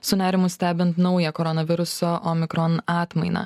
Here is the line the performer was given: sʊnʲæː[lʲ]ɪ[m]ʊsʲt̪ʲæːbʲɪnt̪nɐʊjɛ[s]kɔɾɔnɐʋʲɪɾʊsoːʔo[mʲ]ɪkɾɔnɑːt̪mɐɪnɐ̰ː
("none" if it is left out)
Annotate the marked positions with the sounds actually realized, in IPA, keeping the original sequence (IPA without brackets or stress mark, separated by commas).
ɾʲ, m, none, mʲ